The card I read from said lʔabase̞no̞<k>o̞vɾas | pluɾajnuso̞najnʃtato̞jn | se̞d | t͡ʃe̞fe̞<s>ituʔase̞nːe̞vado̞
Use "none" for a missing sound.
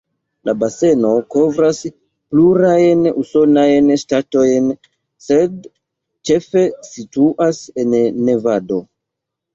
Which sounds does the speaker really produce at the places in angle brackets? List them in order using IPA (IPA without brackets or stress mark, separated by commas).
k, s